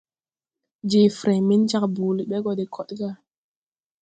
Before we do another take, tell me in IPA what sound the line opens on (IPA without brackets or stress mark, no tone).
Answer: d͡ʒ